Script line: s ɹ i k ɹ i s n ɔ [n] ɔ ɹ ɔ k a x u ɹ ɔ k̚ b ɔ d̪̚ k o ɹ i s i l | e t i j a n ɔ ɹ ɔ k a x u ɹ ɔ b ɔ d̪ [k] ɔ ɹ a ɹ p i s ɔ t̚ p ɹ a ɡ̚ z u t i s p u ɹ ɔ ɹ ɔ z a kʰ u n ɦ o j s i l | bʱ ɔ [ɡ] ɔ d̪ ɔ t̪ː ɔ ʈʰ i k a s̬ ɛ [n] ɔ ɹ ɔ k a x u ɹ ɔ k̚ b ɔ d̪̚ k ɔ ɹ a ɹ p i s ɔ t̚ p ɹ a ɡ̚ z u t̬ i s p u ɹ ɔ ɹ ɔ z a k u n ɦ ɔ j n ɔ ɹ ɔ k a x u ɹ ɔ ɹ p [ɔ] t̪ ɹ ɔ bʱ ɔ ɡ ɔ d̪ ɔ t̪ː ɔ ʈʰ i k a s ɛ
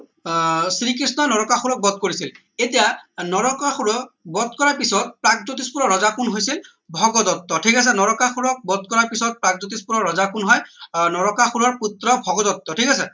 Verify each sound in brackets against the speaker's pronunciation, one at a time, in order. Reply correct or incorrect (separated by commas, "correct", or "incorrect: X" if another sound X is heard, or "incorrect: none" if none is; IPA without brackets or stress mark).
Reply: correct, correct, correct, correct, incorrect: u